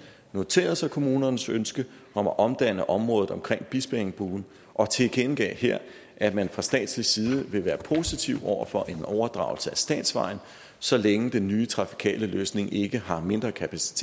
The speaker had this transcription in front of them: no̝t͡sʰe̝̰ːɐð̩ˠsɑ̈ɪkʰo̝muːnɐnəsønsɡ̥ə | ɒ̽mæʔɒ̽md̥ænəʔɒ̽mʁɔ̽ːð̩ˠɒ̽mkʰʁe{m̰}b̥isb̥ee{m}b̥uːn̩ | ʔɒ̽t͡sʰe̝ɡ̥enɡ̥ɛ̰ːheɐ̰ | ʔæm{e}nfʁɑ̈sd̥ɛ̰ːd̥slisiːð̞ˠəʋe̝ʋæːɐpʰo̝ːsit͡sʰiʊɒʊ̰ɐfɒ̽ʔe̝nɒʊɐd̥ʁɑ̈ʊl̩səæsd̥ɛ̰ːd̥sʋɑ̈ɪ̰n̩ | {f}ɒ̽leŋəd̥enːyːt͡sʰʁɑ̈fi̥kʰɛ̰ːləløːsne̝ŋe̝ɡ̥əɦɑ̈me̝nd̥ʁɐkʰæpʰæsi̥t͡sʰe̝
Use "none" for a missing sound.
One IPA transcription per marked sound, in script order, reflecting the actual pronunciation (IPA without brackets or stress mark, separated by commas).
ŋ̰, ŋ, æ, s